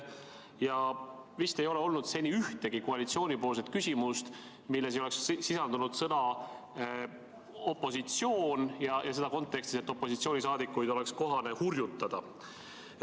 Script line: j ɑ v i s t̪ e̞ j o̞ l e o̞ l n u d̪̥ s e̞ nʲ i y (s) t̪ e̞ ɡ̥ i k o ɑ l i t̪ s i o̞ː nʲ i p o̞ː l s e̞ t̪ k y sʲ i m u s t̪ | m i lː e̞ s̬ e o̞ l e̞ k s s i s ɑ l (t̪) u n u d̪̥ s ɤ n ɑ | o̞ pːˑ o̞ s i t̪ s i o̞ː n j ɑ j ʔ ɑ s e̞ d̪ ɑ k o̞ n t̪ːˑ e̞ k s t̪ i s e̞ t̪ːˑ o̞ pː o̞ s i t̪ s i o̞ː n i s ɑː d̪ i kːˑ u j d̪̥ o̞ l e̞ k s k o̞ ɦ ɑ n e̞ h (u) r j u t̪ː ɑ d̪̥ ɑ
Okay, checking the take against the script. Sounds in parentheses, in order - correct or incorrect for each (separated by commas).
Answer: incorrect, incorrect, correct